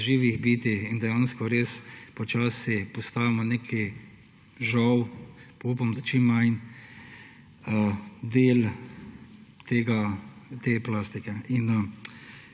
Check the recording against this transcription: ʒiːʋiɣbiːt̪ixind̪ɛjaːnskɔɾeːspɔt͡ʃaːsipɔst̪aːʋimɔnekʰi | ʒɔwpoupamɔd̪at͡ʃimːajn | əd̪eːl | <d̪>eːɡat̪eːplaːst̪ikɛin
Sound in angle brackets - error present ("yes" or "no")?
yes